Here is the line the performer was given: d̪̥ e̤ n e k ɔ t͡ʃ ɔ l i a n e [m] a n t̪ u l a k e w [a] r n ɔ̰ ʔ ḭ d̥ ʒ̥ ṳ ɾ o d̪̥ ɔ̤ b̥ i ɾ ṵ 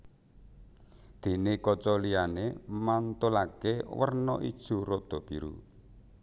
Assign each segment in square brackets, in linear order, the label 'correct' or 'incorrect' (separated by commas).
correct, incorrect